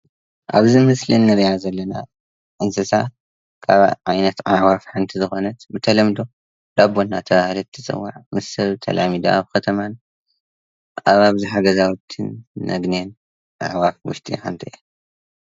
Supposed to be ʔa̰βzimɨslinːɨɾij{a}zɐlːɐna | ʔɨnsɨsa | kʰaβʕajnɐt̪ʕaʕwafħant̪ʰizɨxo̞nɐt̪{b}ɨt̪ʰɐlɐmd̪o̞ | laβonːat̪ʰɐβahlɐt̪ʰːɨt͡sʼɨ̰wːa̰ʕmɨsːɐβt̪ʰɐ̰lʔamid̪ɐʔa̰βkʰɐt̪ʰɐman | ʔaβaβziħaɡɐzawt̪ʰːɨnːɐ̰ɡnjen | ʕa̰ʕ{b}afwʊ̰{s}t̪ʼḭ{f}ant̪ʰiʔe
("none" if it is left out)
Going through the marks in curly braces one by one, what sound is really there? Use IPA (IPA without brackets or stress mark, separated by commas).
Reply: a, b, w, ʃ, ħ